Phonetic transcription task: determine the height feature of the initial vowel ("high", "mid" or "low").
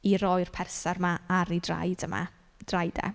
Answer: high